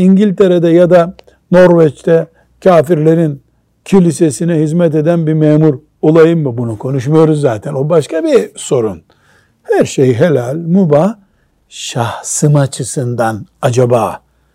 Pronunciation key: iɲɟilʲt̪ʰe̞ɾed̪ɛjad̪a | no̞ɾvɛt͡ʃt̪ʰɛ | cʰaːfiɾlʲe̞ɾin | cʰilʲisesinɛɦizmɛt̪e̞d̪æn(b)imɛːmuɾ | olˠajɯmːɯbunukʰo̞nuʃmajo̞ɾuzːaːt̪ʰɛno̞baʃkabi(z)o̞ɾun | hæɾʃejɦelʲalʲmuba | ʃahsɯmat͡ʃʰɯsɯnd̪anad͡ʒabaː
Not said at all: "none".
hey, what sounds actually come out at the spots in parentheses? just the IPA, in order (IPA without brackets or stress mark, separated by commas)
b, s